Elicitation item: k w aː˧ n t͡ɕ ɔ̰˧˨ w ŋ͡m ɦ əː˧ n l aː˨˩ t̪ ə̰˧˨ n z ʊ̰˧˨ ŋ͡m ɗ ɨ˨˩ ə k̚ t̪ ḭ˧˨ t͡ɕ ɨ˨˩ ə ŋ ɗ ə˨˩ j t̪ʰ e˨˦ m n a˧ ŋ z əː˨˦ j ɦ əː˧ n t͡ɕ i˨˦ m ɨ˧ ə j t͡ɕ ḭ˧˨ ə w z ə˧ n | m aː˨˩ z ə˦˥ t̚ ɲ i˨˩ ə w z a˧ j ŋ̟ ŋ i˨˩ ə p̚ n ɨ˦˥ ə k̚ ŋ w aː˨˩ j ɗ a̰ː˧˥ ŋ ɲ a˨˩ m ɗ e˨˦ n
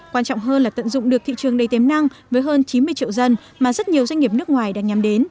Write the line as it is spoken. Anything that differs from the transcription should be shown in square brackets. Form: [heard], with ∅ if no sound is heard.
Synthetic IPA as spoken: k w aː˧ n t͡ɕ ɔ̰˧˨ w ŋ͡m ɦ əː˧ n l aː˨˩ t̪ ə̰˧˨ n z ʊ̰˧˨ ŋ͡m ɗ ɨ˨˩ ə k̚ t̪ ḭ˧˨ t͡ɕ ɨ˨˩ ə ŋ ɗ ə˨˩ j [t̪] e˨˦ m n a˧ ŋ [v] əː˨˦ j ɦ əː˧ n t͡ɕ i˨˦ m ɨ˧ ə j t͡ɕ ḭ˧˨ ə w z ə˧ n | m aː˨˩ z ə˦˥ t̚ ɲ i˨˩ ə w z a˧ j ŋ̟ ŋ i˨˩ ə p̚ n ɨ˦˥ ə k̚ ŋ w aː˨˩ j ɗ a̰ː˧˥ ŋ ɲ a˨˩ m ɗ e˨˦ n

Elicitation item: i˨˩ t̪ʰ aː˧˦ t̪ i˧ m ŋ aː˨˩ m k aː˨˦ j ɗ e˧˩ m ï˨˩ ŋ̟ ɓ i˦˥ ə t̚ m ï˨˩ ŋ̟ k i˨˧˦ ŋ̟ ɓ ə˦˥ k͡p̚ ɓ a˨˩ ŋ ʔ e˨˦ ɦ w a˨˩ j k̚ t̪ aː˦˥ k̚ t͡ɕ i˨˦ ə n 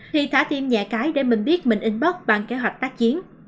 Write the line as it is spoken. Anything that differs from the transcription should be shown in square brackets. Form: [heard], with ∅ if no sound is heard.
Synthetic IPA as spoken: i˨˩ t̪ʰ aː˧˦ t̪ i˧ m [ɲ] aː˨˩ [∅] k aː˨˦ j ɗ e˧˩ m ï˨˩ ŋ̟ ɓ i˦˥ ə t̚ m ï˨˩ ŋ̟ [ʔ] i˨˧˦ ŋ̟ ɓ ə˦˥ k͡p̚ ɓ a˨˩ ŋ [k] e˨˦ ɦ w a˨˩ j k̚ t̪ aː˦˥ k̚ t͡ɕ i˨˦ ə n

